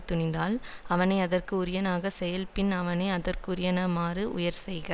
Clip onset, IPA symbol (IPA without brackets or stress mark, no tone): t̪